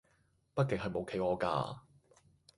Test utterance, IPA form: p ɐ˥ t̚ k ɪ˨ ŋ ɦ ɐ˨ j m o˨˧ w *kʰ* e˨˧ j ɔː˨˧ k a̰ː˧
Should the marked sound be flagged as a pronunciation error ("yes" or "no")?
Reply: no